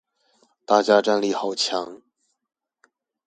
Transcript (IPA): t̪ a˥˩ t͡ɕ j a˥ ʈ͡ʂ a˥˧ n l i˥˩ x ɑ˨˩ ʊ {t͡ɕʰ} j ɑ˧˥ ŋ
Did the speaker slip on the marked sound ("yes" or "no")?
no